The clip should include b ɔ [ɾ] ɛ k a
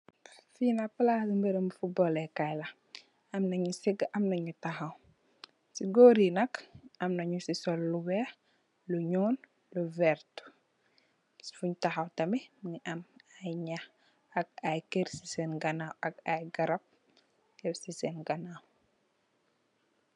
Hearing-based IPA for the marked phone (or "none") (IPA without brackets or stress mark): l